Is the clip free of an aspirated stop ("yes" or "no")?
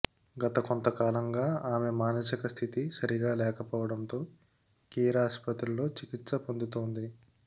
no